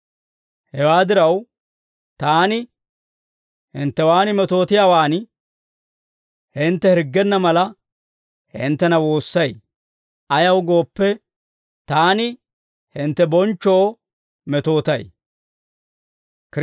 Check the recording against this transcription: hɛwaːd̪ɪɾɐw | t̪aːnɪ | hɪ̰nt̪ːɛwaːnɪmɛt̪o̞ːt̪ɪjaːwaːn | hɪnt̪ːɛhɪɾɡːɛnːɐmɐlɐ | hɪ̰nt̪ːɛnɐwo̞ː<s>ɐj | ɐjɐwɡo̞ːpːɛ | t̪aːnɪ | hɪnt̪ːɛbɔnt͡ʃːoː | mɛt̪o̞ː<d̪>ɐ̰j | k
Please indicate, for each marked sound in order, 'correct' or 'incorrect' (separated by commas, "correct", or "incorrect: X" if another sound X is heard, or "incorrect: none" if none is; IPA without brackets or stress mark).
incorrect: sː, incorrect: t̪